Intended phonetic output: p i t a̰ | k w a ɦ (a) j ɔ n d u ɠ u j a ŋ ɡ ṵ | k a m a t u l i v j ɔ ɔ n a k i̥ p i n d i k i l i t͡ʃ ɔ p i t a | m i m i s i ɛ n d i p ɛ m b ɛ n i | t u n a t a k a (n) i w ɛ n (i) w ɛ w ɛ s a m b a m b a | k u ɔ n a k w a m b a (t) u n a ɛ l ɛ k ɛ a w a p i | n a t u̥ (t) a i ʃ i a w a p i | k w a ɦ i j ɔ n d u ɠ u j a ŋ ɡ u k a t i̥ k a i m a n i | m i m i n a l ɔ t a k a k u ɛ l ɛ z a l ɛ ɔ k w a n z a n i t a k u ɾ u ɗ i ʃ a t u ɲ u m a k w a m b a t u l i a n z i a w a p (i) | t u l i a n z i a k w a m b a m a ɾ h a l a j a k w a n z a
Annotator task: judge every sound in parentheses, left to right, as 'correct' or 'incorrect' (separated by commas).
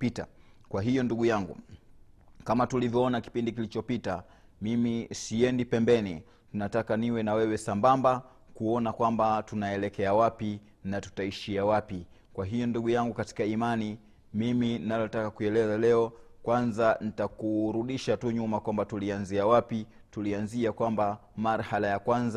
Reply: incorrect, correct, incorrect, correct, correct, correct